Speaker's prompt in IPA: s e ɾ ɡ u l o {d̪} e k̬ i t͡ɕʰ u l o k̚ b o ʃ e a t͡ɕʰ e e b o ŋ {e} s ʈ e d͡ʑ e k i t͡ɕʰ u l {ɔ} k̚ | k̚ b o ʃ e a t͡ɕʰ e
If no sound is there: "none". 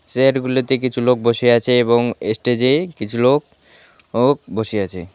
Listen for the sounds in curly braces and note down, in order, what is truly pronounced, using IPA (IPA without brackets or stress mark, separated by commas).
t̪, e, o